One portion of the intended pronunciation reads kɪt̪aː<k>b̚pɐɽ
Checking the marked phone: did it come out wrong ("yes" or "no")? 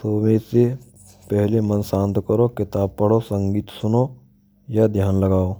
yes